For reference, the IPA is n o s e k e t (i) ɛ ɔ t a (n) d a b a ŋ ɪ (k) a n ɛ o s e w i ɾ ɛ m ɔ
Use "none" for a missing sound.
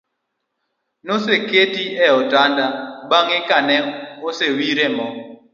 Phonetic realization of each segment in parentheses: i, n, k

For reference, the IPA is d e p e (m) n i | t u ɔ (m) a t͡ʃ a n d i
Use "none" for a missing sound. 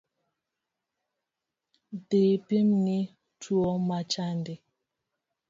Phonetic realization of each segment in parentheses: m, m

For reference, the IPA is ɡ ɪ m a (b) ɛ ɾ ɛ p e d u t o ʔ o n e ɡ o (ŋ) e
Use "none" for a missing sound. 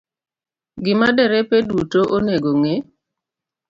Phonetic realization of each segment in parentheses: d, ŋ

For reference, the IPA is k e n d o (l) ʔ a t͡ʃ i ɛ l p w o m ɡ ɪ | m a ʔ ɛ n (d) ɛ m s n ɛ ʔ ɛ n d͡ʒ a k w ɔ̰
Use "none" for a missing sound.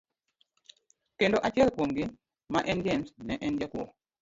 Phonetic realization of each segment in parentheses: none, d͡ʒ

